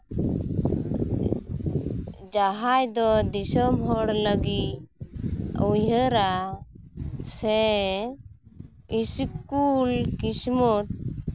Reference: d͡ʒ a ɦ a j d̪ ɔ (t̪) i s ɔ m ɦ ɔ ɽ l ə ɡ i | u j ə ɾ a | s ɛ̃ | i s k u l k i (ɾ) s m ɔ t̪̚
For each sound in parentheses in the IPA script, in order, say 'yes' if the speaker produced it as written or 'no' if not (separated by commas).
no, no